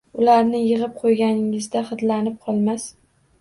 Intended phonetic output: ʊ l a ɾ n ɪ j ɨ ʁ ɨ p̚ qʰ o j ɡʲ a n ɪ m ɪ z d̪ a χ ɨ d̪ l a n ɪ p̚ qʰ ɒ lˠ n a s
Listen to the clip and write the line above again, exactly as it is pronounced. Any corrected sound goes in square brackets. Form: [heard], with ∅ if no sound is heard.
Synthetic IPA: ʊ l a ɾ n ɪ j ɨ ʁ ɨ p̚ qʰ o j ɡʲ a n ɪ [ŋ] ɪ z d̪ a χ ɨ d̪ l a n ɪ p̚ qʰ ɒ lˠ [m] a s